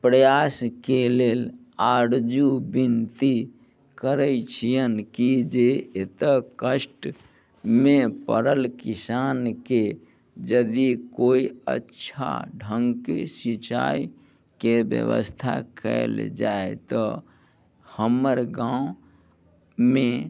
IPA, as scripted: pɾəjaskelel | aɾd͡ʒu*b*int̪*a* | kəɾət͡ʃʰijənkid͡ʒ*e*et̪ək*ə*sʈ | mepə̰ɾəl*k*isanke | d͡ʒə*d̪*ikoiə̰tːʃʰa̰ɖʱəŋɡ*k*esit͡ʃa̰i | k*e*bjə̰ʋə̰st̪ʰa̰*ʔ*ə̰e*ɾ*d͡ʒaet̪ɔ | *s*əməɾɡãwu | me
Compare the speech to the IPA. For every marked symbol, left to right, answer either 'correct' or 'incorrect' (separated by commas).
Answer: correct, incorrect, correct, correct, correct, correct, correct, correct, incorrect, incorrect, incorrect